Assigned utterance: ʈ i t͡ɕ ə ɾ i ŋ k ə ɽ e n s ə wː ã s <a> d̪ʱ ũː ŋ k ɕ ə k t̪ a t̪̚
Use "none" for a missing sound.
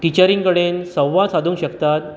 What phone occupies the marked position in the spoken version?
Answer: a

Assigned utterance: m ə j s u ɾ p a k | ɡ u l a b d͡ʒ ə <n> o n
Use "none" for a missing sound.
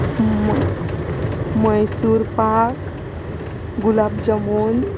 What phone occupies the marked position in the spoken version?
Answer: m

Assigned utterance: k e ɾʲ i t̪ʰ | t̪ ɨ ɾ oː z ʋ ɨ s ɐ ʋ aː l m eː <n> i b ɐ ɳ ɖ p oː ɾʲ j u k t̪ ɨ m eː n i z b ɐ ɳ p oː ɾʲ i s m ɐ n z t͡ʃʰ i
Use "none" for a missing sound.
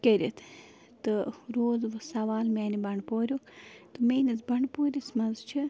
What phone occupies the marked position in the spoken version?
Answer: n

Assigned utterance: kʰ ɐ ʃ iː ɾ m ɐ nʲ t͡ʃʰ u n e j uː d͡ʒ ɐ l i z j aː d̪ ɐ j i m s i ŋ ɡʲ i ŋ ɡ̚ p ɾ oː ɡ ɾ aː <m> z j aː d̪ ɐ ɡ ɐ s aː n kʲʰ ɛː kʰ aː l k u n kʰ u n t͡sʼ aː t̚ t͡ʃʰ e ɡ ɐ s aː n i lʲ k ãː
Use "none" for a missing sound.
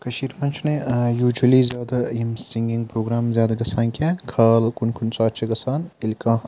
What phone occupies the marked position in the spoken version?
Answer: m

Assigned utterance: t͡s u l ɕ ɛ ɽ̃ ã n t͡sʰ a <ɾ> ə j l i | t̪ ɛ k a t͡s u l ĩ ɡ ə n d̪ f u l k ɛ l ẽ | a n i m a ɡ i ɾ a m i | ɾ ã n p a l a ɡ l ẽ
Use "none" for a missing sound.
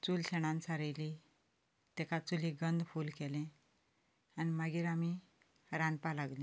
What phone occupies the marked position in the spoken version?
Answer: ɾ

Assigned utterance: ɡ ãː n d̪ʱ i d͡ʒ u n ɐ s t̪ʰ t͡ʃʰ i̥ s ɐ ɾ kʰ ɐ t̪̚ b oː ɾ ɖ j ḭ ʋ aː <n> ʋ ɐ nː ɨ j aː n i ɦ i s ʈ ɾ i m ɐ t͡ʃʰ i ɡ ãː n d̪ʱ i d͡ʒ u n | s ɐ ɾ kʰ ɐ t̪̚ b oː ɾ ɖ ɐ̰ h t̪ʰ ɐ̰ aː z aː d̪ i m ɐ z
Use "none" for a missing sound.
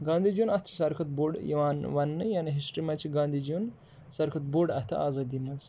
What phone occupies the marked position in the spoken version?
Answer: n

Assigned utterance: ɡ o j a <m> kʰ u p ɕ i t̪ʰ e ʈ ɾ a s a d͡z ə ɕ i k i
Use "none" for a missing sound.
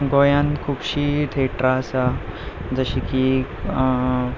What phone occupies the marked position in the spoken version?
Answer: n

